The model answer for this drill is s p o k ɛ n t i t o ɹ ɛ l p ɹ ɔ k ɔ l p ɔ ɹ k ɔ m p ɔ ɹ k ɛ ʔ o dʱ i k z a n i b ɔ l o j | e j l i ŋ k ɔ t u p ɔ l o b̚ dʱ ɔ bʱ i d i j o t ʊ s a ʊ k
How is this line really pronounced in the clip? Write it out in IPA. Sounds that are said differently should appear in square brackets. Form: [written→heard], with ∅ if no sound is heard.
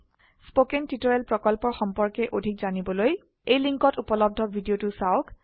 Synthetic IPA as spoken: s p o k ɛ n t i t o ɹ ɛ l p ɹ ɔ k ɔ l p ɔ ɹ [k→x] ɔ m p ɔ ɹ k ɛ ʔ o dʱ i k z a n i b ɔ l o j | e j l i ŋ k ɔ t u p ɔ l [o→ɔ] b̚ dʱ ɔ bʱ i d i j o t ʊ s a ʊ k